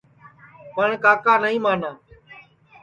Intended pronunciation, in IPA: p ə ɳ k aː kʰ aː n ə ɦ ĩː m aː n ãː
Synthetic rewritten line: p ə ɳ k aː k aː n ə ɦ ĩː m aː n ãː